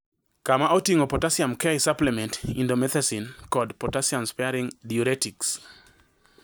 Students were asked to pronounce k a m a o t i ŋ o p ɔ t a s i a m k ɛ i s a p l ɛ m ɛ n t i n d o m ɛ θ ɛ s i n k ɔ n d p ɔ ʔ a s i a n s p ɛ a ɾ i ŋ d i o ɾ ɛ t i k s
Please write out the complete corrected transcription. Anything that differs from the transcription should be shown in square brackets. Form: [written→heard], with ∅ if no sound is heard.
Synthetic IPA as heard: k a m a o t i ŋ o p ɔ t a s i a m k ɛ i s a p l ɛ m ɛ n t i n d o m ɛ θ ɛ s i n k ɔ [n→∅] d p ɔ [ʔ→t] a s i a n s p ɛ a ɾ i ŋ d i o ɾ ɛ t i k s